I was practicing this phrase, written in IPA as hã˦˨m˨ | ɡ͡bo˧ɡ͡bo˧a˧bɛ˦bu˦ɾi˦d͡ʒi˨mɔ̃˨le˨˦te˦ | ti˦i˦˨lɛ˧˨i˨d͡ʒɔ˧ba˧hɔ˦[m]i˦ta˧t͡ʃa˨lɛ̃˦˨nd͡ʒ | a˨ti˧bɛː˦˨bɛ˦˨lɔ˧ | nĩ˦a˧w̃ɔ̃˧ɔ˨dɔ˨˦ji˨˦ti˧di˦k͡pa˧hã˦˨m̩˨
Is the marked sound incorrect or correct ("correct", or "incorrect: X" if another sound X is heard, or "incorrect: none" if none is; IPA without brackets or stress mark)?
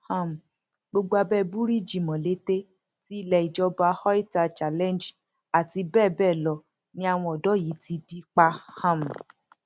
incorrect: none